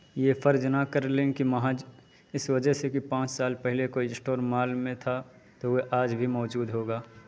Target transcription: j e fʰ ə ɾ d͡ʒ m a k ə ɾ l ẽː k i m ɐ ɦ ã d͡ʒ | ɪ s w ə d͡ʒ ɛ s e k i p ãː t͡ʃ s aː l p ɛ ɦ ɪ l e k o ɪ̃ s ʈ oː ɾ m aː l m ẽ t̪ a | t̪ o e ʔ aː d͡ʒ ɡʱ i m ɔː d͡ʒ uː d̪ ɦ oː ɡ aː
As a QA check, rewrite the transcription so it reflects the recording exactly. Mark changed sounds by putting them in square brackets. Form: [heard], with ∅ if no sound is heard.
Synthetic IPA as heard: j e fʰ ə ɾ d͡ʒ [n] a k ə ɾ l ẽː k i m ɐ ɦ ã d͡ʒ | ɪ s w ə d͡ʒ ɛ s e k i p ãː t͡ʃ s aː l p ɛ ɦ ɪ l e k o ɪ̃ s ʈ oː ɾ m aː l m ẽ [t̪ʰ] a | t̪ o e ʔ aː d͡ʒ [bʱ] i m ɔː d͡ʒ uː d̪ ɦ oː ɡ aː